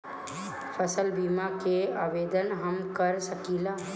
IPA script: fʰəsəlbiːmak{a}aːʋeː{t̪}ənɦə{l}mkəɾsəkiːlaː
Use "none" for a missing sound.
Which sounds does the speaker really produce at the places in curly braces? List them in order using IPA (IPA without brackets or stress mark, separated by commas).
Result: e, d̪, none